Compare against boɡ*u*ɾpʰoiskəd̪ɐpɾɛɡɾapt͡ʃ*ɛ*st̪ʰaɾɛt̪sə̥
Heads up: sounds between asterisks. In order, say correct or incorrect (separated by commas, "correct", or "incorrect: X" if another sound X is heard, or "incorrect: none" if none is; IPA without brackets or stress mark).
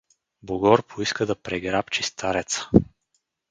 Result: incorrect: ɔ, incorrect: i